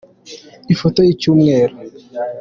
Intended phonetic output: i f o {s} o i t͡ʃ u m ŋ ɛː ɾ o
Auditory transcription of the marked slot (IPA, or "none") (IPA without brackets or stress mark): t